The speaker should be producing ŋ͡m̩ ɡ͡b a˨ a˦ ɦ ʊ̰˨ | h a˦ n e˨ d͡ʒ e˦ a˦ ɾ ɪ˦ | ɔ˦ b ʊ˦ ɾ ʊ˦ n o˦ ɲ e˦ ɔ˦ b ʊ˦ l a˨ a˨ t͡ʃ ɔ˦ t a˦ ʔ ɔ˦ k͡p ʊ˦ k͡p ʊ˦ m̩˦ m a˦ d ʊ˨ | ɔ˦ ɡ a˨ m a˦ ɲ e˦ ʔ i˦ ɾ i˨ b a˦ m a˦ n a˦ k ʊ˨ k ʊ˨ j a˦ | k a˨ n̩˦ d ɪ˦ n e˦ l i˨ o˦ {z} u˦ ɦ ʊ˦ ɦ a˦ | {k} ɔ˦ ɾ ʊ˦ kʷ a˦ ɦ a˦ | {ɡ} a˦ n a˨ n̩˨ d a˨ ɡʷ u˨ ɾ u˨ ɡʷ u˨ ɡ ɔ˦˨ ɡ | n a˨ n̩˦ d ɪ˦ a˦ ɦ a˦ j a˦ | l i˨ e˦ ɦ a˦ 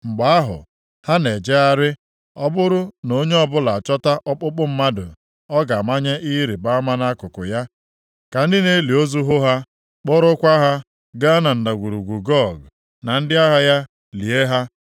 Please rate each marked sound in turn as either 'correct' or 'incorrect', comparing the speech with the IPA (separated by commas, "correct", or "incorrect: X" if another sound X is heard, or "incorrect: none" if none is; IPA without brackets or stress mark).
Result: correct, incorrect: k͡p, correct